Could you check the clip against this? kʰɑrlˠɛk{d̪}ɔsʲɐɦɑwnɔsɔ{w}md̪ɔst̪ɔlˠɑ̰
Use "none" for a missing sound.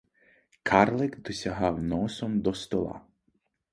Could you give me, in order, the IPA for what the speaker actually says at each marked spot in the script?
d̪, none

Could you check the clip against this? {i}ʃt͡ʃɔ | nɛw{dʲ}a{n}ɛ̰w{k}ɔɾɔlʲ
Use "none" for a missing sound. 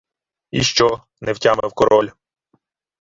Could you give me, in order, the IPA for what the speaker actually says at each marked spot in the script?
i, tʲ, m, k

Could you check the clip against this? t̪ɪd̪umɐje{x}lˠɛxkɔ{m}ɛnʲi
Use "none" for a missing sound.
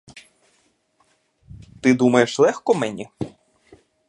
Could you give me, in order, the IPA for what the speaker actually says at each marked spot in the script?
ʃ, m

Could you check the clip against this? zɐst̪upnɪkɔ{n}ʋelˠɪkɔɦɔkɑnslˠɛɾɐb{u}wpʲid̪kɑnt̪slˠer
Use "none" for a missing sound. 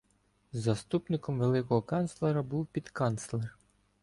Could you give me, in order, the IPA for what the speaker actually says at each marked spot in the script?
m, u

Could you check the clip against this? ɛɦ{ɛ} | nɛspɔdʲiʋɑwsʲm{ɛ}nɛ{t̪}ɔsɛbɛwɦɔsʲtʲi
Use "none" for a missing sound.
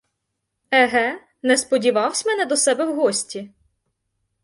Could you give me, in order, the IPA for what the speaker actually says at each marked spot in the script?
ɛ, ɛ, d̪

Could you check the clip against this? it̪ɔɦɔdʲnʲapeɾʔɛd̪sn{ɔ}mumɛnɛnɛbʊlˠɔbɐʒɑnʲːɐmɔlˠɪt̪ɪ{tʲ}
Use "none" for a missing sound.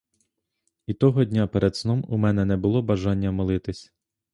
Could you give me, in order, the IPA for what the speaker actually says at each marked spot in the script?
ɔ, sʲ

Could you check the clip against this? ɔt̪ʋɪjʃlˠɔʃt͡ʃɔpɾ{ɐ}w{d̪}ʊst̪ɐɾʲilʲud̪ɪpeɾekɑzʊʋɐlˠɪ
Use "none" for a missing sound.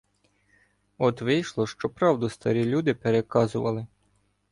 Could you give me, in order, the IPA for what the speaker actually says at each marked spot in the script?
ɑ, d̪

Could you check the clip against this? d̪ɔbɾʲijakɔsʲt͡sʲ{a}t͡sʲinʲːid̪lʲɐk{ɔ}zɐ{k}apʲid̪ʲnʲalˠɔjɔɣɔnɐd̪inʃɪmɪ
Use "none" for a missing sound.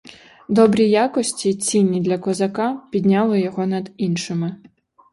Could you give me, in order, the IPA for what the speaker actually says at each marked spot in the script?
i, ɔ, k

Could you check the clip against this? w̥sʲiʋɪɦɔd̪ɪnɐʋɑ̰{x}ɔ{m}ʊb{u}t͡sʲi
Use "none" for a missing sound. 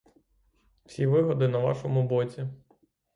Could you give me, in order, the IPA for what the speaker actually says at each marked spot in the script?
ʃ, m, ɔ

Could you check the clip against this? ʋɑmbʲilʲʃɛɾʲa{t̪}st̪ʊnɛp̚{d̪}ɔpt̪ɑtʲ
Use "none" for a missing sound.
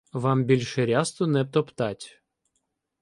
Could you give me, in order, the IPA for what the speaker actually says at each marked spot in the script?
none, t̪

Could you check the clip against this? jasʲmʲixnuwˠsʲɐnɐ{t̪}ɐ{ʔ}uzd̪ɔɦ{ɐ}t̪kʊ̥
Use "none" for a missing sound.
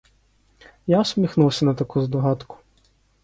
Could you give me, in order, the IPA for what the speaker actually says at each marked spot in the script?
t̪, k, ɑ

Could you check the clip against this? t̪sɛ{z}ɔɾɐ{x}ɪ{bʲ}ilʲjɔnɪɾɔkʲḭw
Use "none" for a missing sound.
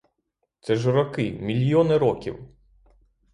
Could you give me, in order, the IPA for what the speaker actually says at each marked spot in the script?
ʒ, k, mʲ

